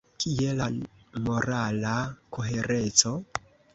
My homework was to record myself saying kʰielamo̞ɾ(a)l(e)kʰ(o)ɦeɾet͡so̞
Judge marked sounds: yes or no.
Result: yes, no, yes

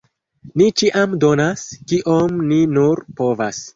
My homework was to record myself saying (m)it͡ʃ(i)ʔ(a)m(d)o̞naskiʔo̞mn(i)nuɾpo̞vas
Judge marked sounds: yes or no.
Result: no, yes, yes, yes, yes

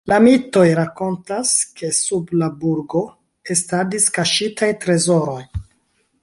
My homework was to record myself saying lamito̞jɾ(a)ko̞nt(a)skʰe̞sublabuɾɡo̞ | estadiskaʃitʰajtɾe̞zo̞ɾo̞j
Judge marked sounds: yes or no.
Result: yes, yes

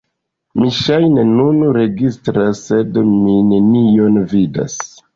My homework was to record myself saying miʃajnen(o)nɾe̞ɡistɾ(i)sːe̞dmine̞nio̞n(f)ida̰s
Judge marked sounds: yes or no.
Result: no, no, no

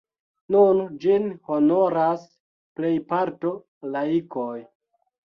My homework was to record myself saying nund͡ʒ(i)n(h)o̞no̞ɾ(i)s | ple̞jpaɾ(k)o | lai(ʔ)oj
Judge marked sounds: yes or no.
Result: yes, yes, no, no, no

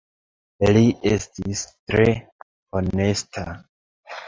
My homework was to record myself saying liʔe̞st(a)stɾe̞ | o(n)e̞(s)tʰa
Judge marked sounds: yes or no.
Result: no, yes, yes

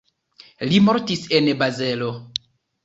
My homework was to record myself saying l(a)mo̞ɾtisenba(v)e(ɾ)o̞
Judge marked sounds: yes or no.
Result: no, no, no

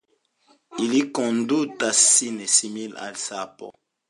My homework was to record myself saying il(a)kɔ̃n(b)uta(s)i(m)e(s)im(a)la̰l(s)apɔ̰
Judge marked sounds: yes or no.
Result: no, no, yes, no, yes, no, yes

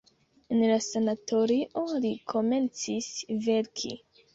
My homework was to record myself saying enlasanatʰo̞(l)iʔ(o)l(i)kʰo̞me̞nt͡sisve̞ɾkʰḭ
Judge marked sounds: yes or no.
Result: no, yes, yes

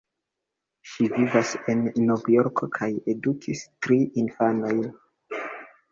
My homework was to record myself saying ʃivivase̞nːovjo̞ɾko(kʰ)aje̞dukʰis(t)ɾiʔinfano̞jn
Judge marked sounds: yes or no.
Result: yes, yes

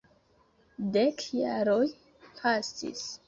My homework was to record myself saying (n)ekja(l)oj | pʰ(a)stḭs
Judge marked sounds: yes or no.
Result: no, no, yes

